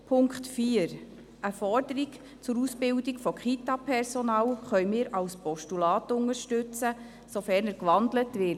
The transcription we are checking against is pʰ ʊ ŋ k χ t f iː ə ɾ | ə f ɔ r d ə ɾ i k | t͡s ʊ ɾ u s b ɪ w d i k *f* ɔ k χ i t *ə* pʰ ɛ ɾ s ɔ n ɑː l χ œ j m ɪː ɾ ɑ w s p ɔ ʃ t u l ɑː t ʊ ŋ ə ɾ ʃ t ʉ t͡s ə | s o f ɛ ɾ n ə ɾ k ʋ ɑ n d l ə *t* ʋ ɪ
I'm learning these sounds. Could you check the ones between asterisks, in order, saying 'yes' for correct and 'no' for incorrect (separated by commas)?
yes, no, yes